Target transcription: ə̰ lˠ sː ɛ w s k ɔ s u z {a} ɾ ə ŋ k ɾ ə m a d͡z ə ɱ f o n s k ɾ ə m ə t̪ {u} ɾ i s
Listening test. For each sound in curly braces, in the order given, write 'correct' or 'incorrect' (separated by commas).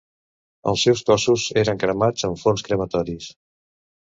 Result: incorrect, incorrect